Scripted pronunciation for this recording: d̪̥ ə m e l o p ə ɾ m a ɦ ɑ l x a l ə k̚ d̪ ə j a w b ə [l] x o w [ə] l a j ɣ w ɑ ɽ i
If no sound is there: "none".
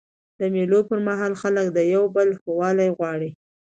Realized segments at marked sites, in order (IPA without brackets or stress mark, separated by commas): l, ɑ